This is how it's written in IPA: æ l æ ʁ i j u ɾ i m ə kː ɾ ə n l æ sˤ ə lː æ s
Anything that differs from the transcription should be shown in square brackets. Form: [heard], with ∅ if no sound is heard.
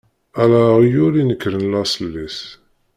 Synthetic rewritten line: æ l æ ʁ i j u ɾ i [n] ə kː ɾ ə n l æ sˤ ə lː [i] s

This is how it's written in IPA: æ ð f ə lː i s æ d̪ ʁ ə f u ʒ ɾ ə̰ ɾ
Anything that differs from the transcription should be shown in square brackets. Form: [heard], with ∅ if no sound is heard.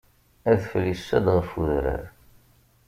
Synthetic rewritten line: æ ð f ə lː i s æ d̪ ʁ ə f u [ð] ɾ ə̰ ɾ

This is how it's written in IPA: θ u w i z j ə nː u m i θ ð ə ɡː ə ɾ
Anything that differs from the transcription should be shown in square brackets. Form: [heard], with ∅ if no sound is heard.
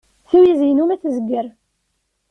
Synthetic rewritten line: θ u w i z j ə [n] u m [æ] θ [z] ə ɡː ə ɾ

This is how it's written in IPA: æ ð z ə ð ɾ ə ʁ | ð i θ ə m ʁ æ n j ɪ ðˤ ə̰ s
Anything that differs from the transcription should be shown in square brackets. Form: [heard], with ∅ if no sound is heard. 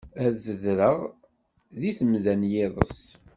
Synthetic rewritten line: æ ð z ə ð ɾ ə ʁ | ð i θ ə m [ð] æ n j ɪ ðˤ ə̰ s

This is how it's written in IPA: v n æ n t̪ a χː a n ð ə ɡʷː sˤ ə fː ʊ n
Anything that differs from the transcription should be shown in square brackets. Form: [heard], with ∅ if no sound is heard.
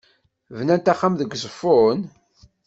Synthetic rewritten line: v n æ n t̪ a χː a [m] ð ə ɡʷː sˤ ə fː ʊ n

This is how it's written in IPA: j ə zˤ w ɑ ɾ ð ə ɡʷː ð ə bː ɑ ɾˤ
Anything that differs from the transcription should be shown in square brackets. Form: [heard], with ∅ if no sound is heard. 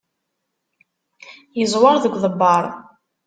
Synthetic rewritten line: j ə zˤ w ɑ ɾ ð ə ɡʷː ð ə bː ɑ ɾˤ

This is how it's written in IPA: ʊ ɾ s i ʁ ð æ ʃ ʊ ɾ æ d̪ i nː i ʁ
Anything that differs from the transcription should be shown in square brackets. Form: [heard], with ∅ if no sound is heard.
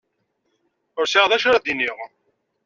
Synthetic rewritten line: ʊ ɾ s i ʁ ð æ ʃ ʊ ɾ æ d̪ i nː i ʁ

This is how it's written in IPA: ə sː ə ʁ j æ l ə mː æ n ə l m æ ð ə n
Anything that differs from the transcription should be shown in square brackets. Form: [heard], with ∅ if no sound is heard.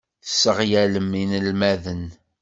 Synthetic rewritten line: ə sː ə ʁ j æ l ə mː [i] n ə l m æ ð ə n

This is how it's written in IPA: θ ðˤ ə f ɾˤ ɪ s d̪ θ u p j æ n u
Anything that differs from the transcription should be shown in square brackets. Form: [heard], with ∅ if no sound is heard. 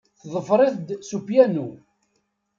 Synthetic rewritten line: θ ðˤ ə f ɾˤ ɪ [θ] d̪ [s] u p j æ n u

